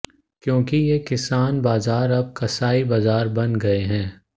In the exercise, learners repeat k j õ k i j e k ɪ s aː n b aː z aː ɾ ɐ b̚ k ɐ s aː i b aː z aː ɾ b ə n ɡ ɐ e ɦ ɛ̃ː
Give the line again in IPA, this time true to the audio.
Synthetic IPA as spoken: k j õː k i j e k ɪ s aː n b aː z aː ɾ ɐ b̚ k ɐ s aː i b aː z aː ɾ b ɐ n ɡ ɐ e ɦ ɛ̃ː